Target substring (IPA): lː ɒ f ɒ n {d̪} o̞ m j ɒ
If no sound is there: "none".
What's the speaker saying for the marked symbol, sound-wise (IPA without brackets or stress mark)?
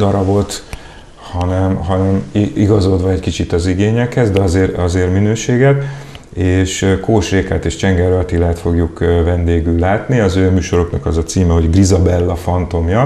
t̪